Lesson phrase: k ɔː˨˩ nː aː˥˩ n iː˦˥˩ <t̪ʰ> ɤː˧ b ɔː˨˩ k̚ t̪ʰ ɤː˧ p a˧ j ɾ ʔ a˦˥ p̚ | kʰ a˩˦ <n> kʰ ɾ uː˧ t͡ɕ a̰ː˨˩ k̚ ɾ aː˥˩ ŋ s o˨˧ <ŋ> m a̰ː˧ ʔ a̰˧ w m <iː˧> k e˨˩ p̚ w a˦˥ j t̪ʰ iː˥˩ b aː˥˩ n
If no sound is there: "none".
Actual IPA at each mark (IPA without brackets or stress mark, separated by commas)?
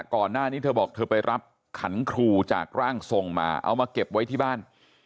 t̪ʰ, n, ŋ, aː˧